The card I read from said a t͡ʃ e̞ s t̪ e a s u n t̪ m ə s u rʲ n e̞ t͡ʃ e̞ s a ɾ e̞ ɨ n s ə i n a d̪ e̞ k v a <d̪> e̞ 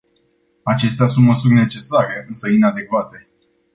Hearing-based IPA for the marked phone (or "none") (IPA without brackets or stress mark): t̪